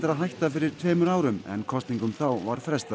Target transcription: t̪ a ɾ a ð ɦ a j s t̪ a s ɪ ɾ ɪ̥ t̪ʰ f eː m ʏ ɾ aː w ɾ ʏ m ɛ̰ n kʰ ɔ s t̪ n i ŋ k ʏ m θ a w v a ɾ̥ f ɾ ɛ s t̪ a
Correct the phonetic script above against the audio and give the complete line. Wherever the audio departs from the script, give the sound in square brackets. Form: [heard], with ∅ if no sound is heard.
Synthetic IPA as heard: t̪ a ɾ a ð ɦ a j [h] t̪ a [f] ɪ ɾ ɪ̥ t̪ʰ [v] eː m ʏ ɾ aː w ɾ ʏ m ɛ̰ n kʰ ɔ s t̪ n i ŋ k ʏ m θ a w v a ɾ̥ f ɾ ɛ s t̪ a